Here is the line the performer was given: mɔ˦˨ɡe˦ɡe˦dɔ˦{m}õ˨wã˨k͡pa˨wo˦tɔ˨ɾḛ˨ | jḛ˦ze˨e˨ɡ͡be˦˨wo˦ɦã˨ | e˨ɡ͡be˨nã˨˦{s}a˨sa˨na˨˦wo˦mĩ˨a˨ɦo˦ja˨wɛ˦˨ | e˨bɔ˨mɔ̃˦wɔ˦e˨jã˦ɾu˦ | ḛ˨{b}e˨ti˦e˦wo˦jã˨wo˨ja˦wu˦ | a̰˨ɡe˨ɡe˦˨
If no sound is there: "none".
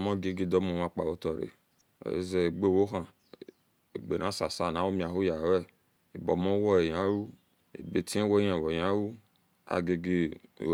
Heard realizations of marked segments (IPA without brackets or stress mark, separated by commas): m, s, b